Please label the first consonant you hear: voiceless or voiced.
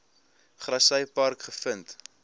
voiceless